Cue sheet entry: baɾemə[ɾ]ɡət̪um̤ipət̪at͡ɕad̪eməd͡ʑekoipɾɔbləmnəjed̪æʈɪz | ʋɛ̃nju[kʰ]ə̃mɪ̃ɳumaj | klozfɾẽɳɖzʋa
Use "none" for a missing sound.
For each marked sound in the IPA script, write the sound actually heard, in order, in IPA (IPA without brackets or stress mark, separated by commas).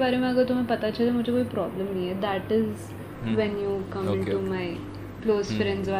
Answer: none, k